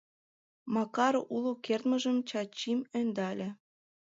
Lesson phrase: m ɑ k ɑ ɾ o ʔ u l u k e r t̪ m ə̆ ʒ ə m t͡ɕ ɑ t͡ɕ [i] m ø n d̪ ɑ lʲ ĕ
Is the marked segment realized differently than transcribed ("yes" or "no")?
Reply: no